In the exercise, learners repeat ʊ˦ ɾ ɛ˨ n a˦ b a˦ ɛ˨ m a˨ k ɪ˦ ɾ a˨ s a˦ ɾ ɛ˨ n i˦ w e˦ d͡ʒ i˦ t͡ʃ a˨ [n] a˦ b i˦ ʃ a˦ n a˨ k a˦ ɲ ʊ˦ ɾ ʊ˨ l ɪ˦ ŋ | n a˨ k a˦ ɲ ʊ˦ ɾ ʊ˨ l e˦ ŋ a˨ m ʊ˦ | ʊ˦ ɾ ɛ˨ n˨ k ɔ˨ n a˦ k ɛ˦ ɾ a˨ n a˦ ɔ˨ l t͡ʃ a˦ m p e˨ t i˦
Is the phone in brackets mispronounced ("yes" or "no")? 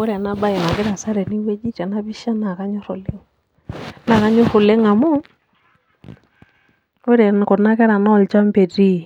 no